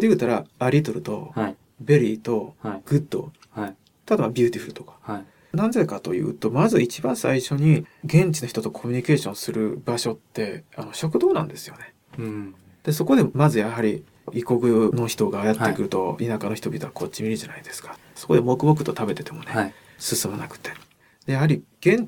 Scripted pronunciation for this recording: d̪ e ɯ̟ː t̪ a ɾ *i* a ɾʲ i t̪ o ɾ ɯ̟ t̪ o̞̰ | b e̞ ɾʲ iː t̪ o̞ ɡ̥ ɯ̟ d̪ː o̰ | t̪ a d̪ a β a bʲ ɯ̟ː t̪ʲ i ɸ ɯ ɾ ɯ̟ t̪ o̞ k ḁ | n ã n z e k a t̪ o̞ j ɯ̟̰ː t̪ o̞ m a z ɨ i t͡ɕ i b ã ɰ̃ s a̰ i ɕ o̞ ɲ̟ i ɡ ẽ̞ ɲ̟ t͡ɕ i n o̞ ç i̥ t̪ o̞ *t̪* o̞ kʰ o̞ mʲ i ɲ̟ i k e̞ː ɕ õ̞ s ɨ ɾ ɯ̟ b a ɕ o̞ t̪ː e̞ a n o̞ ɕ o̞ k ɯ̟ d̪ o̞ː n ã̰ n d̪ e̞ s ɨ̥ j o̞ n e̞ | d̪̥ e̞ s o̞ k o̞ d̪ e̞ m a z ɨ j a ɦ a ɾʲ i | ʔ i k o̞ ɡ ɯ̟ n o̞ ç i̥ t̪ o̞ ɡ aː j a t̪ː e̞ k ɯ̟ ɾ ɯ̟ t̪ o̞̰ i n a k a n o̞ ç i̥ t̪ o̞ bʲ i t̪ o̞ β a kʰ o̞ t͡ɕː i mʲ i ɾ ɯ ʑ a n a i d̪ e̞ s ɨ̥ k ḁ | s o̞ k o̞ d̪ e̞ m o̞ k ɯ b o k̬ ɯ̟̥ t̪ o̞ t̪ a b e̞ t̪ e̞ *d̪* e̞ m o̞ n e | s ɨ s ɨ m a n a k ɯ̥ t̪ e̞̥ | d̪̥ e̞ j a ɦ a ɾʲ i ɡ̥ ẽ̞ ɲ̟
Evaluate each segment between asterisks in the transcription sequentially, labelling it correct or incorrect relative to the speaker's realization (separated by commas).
incorrect, correct, incorrect